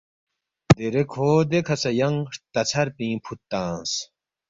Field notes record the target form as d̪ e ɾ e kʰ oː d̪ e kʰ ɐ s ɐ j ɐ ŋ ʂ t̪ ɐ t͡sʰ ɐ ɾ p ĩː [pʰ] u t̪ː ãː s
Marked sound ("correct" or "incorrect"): correct